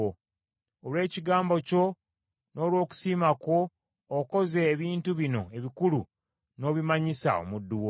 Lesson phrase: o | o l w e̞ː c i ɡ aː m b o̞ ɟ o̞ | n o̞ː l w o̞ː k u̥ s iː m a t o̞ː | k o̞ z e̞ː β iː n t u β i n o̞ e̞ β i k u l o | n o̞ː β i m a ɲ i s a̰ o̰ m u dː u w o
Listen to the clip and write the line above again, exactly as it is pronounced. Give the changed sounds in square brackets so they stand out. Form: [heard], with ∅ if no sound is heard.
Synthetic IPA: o | o l w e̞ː c i ɡ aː m b o̞ [c] o̞ | n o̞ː l w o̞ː k u̥ s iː m a [k] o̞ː | k o̞ z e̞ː β iː n t u β i n o̞ e̞ β i k u l [u] | n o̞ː β i m a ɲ i s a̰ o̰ m u dː u w o